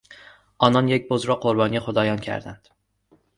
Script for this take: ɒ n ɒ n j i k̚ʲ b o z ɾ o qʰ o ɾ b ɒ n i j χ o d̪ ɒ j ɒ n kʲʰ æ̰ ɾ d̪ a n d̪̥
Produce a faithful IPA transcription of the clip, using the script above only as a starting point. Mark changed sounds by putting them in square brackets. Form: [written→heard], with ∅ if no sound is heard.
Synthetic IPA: ɒ n ɒ n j [i→e] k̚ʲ b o z ɾ [o→ɒ] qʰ o ɾ b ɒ n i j χ o d̪ ɒ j ɒ n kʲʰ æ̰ ɾ d̪ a n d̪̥